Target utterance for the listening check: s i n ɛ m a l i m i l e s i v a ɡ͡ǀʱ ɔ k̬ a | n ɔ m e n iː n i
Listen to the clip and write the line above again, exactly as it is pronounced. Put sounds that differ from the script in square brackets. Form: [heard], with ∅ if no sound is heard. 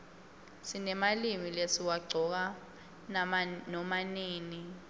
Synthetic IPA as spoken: s i n ɛ m a l i m i l e s i [w] a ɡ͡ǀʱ ɔ k̬ a | n ɔ m [a] n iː n i